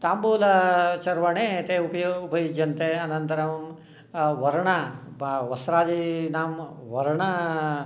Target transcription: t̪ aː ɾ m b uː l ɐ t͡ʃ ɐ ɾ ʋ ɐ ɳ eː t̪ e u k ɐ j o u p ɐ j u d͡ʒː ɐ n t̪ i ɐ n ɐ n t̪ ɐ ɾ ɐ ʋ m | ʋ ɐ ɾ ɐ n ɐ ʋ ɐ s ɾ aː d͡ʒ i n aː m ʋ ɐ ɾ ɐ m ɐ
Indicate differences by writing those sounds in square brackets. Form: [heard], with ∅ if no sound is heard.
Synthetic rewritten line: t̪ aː [∅] m b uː l ɐ t͡ʃ ɐ ɾ ʋ ɐ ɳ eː t̪ e u [p] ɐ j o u p ɐ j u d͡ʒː ɐ n t̪ [e] ɐ n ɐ n t̪ ɐ ɾ ɐ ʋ m | ʋ ɐ ɾ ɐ [ɳ] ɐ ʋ ɐ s ɾ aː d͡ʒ i n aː m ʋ ɐ ɾ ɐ [ɳ] ɐ